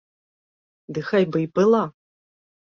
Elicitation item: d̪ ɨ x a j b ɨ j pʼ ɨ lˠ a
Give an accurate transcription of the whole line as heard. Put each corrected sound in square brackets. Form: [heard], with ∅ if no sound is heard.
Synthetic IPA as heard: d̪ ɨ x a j b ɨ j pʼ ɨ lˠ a